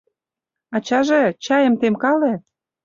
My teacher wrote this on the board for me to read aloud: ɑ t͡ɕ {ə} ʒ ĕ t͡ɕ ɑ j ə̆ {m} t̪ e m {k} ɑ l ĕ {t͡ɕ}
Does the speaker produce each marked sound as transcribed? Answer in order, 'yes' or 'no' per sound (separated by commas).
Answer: no, yes, yes, no